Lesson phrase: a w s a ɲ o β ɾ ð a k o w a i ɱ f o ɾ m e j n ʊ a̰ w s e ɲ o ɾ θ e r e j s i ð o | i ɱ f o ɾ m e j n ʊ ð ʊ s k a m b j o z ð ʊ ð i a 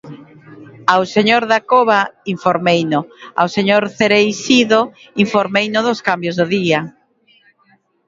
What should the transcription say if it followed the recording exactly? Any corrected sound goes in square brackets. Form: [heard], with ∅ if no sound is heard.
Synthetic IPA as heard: a w s [e] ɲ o [∅] ɾ ð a k o [β] a i ɱ f o ɾ m e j n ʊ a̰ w s e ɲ o ɾ θ e [ɾ] e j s i ð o | i ɱ f o ɾ m e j n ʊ ð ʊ s k a m b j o z ð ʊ ð i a